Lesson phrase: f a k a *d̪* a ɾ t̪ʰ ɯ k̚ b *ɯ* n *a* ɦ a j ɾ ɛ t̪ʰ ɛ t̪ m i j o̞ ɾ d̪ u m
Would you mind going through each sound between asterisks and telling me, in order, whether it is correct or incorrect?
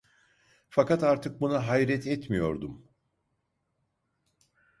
incorrect, incorrect, correct

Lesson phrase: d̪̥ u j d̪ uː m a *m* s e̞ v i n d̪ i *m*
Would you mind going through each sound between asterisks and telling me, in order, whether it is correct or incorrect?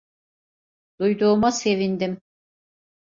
incorrect, correct

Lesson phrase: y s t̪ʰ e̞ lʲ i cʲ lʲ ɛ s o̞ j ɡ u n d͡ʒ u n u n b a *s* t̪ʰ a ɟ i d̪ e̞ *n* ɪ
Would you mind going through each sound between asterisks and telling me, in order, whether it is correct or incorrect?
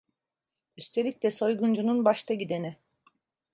incorrect, correct

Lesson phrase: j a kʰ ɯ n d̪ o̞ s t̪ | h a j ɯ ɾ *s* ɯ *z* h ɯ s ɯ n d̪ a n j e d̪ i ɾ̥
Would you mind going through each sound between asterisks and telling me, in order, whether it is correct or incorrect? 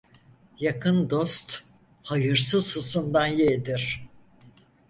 correct, correct

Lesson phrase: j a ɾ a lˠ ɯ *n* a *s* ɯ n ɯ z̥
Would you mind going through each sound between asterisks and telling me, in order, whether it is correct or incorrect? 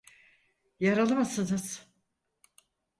incorrect, correct

